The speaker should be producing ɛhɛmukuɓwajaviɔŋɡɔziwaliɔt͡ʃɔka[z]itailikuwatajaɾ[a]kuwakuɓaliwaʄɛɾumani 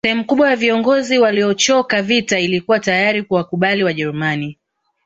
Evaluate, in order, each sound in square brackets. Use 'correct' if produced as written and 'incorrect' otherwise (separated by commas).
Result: incorrect, incorrect